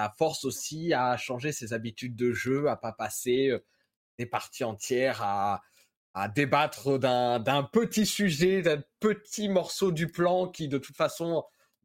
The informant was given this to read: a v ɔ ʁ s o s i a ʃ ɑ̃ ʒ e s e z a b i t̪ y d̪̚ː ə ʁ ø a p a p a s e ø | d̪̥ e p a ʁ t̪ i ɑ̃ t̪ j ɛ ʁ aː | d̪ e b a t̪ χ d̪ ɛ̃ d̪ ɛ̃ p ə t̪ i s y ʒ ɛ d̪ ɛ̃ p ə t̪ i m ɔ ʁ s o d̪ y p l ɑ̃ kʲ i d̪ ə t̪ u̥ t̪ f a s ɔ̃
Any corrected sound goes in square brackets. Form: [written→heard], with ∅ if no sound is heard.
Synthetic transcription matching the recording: a [v→f] ɔ ʁ s o s i a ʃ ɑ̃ ʒ e s e z a b i t̪ y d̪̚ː ə [ʁ→ʒ] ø a p a p a s e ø | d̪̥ e p a ʁ t̪ i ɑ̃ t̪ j ɛ ʁ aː | d̪ e b a t̪ χ d̪ ɛ̃ d̪ ɛ̃ p ə t̪ i s y ʒ ɛ d̪ ɛ̃ p ə t̪ i m ɔ ʁ s o d̪ y p l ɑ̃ kʲ i d̪ ə t̪ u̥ t̪ f a s ɔ̃